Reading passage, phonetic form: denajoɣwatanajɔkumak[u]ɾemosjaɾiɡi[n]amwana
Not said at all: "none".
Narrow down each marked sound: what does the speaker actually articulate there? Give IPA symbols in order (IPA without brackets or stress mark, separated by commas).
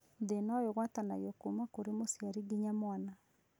o, ɲ